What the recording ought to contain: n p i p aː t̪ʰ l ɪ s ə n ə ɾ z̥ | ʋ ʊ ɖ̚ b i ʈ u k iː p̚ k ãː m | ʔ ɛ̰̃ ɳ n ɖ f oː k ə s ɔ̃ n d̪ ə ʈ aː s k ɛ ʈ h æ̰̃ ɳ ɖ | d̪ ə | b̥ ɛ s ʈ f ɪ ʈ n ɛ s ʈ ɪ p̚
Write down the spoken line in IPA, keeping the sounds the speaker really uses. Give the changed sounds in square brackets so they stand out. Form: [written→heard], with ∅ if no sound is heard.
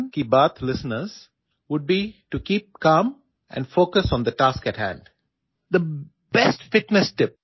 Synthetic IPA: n [p→k] i [p→b] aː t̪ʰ l ɪ s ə n ə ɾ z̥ | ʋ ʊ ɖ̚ b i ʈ u k iː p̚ k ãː m | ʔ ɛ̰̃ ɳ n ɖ f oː k ə s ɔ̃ n d̪ ə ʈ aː s k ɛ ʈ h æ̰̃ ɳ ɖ | d̪ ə | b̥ ɛ s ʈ f ɪ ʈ n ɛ s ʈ ɪ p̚